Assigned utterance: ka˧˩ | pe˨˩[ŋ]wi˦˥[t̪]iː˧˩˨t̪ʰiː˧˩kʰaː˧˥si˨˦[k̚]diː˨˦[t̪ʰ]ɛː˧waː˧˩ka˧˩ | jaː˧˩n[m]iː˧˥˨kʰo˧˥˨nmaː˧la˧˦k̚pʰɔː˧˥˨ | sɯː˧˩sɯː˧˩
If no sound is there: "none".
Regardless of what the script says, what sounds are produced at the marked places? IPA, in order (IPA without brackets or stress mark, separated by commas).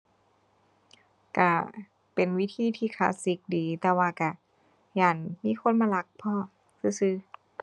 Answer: n, t̪ʰ, k̚, t̪, m